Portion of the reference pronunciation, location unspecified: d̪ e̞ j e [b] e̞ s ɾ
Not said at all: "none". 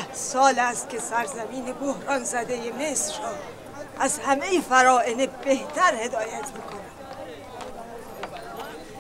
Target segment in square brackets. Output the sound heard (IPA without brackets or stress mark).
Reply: m